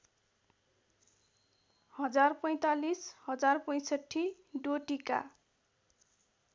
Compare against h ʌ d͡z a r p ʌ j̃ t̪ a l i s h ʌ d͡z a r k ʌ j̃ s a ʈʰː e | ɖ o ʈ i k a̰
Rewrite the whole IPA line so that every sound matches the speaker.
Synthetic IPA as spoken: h ʌ d͡z a r p ʌ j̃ t̪ a l i s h ʌ d͡z a r p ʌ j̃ s ʌ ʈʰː i | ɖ o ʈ i k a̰